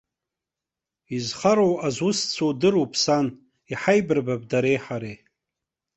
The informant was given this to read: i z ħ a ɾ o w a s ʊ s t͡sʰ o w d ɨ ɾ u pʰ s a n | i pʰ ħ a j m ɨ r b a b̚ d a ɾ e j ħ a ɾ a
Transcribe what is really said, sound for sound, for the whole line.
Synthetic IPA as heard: i z χ a ɾ o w a z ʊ s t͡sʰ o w d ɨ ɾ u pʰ s a n | i ħ a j b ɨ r b a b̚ d a ɾ e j ħ a ɾ e